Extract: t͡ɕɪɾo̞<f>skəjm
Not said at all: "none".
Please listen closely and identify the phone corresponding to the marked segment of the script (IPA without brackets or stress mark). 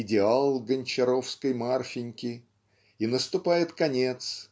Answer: f